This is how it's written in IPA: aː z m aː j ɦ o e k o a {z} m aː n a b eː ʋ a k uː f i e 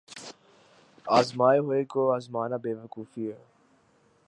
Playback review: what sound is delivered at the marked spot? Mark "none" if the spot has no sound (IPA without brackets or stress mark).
z